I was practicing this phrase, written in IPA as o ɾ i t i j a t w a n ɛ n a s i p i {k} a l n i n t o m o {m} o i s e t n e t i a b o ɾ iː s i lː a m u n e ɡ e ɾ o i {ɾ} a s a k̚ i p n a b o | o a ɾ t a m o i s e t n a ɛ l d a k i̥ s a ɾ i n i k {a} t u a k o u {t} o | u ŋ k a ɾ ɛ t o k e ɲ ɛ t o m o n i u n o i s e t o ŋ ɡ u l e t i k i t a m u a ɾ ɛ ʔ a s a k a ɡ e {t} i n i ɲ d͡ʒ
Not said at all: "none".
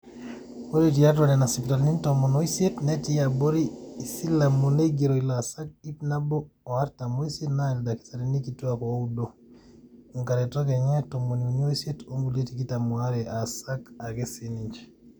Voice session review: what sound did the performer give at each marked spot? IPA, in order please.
t, n, l, i, d, s

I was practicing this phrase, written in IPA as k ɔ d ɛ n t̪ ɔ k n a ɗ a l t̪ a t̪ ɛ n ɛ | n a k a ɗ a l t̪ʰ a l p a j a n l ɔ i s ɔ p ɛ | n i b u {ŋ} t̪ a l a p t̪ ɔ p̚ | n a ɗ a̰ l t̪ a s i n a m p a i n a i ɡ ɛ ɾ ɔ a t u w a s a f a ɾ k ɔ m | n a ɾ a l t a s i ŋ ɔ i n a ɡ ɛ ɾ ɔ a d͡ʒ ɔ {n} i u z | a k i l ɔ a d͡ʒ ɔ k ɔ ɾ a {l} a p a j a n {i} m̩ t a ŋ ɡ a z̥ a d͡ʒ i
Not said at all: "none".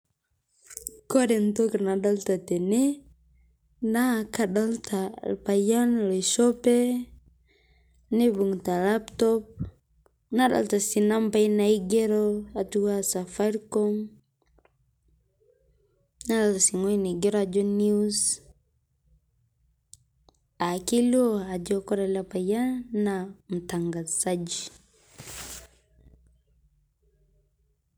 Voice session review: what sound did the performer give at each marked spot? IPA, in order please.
ŋ, n, l, a

